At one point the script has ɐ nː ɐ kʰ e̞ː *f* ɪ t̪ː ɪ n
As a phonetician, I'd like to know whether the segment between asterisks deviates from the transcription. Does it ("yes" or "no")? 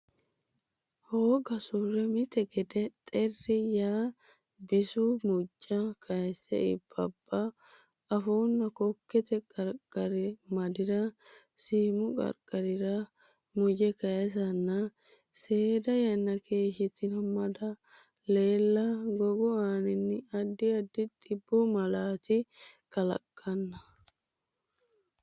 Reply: yes